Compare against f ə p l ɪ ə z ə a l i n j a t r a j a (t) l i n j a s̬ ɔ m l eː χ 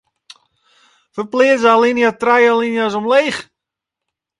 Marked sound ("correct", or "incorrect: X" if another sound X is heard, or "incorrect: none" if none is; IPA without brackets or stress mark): incorrect: none